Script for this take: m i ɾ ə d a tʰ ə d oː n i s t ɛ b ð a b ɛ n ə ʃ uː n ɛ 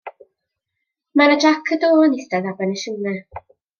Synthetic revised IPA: m a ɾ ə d a kʰ ə d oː n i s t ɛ ð a b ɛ n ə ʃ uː n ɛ